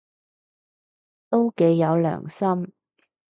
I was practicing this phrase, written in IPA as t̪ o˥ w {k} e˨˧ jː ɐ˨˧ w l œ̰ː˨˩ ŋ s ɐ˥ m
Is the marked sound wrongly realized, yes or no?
no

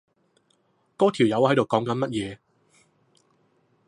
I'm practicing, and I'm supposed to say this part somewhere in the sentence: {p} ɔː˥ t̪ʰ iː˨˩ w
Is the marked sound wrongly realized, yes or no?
yes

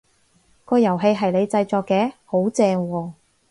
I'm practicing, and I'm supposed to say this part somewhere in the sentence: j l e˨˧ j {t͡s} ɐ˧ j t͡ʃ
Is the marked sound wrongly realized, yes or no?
no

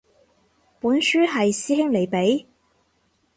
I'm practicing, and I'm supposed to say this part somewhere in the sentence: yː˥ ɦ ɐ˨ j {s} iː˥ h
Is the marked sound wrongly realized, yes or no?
no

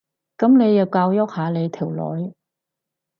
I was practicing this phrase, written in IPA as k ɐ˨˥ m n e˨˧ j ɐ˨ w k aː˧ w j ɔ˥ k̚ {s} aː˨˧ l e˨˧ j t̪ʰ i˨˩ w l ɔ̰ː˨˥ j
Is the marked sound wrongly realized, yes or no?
yes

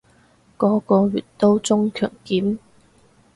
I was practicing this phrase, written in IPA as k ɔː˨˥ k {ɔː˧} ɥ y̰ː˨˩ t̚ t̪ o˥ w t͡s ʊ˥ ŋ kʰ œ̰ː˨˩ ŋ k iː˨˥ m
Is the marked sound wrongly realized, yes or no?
no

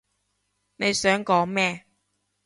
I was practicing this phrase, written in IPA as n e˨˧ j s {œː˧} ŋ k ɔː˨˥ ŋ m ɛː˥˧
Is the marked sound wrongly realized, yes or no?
yes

